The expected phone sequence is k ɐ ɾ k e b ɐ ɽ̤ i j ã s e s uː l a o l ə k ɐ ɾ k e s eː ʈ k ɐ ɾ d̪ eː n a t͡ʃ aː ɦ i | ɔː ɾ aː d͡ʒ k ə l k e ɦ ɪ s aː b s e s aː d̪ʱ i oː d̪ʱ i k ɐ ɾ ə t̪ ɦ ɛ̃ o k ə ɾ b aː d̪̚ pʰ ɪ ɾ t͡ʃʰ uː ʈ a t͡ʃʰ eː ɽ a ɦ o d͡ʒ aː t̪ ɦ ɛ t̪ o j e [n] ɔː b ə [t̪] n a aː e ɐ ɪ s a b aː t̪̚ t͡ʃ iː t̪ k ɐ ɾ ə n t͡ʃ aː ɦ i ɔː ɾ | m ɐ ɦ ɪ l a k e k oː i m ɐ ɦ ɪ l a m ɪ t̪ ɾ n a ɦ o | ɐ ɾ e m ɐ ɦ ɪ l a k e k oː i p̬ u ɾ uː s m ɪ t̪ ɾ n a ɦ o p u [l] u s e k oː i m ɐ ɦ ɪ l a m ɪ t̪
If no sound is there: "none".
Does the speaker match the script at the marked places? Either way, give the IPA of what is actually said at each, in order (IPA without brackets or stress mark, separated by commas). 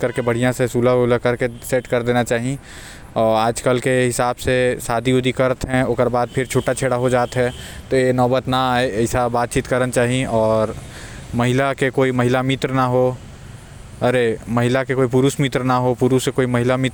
n, t̪, ɾ